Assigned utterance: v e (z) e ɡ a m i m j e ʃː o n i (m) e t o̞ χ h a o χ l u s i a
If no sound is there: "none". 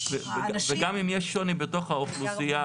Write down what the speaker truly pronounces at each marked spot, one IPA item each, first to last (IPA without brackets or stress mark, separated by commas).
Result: v, b